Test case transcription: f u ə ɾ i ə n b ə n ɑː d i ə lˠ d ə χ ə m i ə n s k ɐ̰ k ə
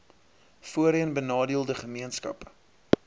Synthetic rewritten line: f u ə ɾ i ə n b ə n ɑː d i ə lˠ d ə χ ə m i ə n s k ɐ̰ p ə